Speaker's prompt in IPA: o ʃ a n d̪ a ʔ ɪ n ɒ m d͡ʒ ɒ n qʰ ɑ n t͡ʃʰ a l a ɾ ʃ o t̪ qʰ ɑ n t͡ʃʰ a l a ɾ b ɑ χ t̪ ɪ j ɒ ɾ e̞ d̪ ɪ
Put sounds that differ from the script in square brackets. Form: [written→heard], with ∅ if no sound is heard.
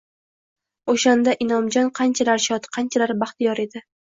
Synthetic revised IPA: o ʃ a n d̪ a ʔ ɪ n ɒ m d͡ʒ ɒ n qʰ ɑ n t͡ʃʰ a l a ɾ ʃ [o→ɒ] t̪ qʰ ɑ n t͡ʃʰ a l a ɾ b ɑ χ t̪ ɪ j ɒ ɾ e̞ d̪ ɪ